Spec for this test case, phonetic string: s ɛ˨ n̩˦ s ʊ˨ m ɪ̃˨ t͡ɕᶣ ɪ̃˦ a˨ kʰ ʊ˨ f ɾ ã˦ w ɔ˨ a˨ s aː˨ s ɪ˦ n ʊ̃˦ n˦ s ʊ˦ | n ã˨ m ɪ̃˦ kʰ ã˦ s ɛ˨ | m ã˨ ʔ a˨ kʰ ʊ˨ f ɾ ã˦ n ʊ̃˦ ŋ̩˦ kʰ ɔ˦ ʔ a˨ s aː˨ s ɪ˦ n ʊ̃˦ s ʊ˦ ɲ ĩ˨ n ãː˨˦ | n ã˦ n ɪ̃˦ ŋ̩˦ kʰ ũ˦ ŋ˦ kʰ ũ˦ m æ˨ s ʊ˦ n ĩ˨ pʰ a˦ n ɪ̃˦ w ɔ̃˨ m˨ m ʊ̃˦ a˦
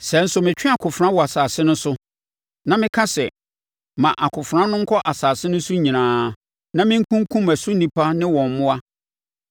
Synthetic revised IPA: s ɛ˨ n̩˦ s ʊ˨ m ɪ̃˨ t͡ɕᶣ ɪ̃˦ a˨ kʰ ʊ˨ f ɾ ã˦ w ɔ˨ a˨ s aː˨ s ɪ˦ n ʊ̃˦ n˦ s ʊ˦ | n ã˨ m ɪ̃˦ kʰ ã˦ s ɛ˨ | m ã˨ ʔ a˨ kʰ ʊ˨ f ɾ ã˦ n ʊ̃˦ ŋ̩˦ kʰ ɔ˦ ʔ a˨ s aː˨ s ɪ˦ n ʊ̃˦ s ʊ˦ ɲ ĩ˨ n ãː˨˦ | n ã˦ m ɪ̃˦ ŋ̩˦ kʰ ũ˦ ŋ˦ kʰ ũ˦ m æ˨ s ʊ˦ n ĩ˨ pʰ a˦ n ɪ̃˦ w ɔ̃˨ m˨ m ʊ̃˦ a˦